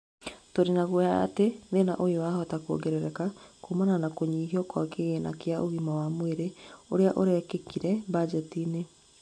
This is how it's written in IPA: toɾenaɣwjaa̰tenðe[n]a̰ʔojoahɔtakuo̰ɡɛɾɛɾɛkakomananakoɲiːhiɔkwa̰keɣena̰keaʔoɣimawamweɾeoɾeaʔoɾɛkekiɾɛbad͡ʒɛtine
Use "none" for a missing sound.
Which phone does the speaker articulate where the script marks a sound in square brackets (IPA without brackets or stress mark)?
n